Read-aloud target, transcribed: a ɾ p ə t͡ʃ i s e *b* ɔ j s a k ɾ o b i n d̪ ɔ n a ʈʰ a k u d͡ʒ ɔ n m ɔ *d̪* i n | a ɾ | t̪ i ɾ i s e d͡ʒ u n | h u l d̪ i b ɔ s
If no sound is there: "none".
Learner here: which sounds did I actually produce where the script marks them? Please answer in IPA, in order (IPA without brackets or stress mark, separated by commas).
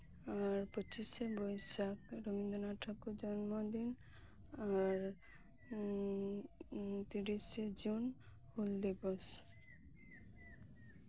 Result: b, d̪